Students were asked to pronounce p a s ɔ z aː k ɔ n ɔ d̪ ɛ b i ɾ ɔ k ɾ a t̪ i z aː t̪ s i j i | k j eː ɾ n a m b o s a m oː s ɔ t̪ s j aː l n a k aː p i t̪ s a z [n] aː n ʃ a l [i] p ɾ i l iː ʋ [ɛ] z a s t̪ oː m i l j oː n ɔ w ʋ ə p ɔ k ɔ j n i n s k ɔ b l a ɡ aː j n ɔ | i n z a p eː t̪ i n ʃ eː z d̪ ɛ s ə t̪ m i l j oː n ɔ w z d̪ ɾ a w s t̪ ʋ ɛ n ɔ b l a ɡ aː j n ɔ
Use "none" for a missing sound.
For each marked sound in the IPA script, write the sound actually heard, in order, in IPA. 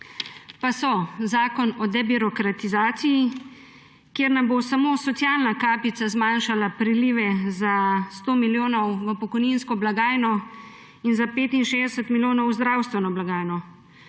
m, a, ɛ

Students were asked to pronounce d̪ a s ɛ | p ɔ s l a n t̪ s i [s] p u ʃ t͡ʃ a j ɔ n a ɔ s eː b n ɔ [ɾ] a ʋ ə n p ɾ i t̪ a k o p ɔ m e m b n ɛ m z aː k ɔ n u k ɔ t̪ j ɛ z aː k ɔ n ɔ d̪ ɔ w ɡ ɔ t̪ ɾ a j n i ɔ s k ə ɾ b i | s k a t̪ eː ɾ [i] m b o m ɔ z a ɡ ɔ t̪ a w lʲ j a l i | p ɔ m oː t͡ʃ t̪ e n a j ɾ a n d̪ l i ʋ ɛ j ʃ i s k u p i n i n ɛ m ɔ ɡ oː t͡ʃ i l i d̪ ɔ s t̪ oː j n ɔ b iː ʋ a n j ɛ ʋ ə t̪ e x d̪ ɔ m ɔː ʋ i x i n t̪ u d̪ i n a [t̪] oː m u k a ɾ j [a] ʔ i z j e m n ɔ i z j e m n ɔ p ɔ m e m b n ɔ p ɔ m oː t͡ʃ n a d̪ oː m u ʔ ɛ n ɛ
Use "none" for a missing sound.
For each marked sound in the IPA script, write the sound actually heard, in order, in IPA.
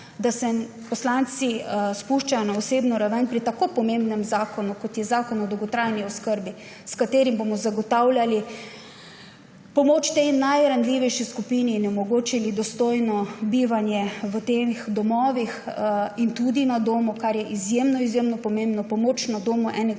s, ɾ, i, d̪, ɛ

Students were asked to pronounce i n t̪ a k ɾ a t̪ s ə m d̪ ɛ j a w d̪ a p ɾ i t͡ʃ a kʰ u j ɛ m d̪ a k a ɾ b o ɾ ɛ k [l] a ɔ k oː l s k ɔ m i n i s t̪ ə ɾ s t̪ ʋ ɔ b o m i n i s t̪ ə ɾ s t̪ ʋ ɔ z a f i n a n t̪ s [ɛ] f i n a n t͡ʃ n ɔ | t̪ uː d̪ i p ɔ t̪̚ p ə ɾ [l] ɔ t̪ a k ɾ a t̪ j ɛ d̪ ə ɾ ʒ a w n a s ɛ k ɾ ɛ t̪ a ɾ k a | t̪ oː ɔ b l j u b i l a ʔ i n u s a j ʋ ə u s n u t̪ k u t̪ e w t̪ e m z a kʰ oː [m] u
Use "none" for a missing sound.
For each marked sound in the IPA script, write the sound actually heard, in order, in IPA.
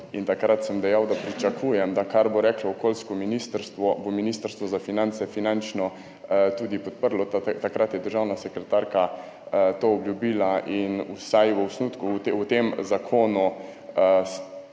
l, ɛ, l, n

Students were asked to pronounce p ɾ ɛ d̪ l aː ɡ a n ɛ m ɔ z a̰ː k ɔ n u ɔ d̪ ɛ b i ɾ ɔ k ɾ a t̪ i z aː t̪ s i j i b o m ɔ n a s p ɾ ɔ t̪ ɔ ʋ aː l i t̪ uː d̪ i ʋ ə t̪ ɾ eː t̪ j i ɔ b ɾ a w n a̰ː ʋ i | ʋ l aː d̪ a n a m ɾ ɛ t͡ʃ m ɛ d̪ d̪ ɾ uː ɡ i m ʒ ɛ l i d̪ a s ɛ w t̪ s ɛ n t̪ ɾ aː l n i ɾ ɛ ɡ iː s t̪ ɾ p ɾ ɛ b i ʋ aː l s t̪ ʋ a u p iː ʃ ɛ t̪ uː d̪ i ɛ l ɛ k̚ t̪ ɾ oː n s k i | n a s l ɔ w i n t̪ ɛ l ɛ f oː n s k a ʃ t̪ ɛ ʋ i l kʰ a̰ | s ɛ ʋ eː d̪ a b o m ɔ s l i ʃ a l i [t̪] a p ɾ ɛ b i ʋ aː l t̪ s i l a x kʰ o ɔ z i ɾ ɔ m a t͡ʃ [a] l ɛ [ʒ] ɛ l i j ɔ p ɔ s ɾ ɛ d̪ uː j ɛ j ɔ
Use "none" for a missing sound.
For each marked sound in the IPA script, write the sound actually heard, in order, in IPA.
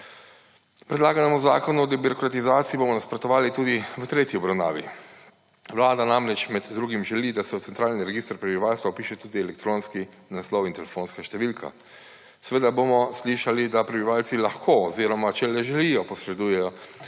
d̪, ɛ, ʒ

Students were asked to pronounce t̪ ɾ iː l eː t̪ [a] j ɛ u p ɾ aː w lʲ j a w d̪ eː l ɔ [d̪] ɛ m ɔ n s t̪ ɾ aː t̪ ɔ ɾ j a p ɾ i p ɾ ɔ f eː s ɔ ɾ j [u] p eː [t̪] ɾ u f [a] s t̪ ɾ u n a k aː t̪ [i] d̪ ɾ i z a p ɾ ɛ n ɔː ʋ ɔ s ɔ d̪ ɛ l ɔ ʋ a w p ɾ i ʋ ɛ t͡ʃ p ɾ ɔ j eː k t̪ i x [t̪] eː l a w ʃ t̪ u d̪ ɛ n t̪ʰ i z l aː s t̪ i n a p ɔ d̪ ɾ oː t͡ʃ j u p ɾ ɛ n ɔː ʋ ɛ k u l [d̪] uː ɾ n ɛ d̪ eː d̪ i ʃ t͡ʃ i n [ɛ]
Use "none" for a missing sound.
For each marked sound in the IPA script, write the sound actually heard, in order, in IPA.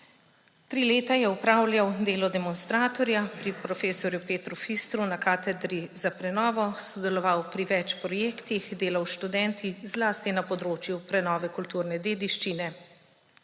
a, d̪, u, t̪, i, ɛ, d̪, t̪, ɛ

